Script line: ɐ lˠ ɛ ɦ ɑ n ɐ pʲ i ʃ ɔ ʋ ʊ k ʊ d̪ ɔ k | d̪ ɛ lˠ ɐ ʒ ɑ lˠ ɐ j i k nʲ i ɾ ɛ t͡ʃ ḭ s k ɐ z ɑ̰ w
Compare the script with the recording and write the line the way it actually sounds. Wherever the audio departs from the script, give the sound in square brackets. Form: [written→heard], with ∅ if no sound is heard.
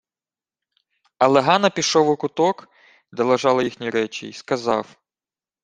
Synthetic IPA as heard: ɐ lˠ ɛ ɦ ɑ n ɐ pʲ i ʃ ɔ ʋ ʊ k ʊ [d̪→t̪] ɔ k | d̪ ɛ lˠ ɐ ʒ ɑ lˠ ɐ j i [k→x] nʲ i ɾ ɛ t͡ʃ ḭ s k ɐ z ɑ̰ w